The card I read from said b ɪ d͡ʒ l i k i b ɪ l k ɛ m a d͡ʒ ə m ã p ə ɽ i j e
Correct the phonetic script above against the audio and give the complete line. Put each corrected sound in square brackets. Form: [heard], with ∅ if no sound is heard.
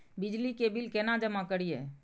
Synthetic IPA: b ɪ d͡ʒ l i k [e] b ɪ l k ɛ [n] a d͡ʒ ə m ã [k] ə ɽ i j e